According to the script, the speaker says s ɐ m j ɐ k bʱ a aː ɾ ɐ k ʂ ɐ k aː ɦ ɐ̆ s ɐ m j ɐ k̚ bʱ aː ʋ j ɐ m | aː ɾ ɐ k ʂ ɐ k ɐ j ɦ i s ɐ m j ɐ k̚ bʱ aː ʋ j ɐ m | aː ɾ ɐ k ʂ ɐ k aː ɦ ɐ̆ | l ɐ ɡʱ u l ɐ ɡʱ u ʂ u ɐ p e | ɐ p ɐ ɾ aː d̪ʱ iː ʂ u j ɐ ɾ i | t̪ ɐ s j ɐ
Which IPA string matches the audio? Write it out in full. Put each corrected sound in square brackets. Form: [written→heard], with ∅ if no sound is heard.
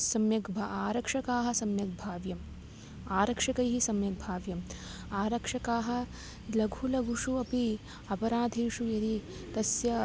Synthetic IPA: s ɐ m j ɐ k bʱ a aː ɾ ɐ k ʂ ɐ k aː ɦ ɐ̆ s ɐ m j ɐ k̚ bʱ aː ʋ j ɐ m | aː ɾ ɐ k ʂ ɐ k ɐ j ɦ i s ɐ m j ɐ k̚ bʱ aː ʋ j ɐ m | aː ɾ ɐ k ʂ ɐ k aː ɦ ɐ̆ | l ɐ ɡʱ u l ɐ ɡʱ u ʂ u ɐ p [e→i] | ɐ p ɐ ɾ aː d̪ʱ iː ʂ u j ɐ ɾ i | t̪ ɐ s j ɐ